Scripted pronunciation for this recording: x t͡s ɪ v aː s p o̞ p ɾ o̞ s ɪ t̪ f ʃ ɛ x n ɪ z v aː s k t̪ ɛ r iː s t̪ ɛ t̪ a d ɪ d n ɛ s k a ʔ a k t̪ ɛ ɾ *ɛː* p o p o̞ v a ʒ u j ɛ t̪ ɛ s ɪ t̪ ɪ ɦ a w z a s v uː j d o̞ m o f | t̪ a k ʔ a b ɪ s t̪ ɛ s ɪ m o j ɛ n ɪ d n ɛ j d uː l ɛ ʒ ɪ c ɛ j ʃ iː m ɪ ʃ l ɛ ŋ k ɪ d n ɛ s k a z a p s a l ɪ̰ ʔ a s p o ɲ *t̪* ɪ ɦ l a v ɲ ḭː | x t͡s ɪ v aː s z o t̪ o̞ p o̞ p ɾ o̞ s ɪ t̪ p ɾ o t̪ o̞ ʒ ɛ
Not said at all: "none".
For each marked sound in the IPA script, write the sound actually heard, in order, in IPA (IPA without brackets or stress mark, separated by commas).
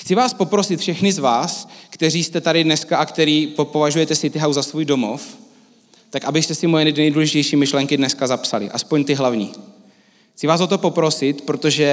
iː, t̪